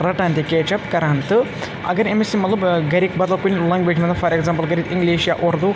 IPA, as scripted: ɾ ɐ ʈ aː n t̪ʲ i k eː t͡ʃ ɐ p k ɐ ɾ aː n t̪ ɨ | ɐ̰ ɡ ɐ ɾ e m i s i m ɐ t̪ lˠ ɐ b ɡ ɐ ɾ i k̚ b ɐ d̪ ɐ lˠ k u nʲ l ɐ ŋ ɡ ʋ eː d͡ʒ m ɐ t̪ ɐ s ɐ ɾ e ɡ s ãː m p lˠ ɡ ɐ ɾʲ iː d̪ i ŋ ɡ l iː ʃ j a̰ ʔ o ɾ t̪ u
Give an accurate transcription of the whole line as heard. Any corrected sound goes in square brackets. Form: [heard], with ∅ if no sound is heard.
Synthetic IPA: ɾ ɐ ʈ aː n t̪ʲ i k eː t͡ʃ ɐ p k ɐ ɾ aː n t̪ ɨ | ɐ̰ ɡ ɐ ɾ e m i s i m ɐ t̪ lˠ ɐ b ɡ ɐ ɾ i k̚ b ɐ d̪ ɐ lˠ k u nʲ l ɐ ŋ ɡ ʋ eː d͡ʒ m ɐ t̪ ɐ [f] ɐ ɾ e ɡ [z] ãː m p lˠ ɡ ɐ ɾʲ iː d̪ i ŋ ɡ l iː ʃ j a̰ ʔ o ɾ [d̪] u